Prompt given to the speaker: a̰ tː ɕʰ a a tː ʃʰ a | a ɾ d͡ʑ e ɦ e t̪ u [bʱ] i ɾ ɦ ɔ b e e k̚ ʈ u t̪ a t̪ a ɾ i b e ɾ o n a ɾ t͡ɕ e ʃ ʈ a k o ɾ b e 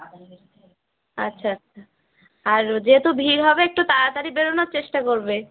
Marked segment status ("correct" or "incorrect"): correct